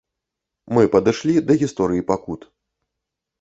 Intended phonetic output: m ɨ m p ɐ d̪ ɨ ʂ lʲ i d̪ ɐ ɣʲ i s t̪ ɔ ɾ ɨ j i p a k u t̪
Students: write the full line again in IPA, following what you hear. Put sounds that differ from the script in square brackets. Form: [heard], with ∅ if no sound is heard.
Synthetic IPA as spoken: m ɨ [∅] p ɐ d̪ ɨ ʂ lʲ i d̪ ɐ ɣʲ i s t̪ ɔ ɾ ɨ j i p a k u t̪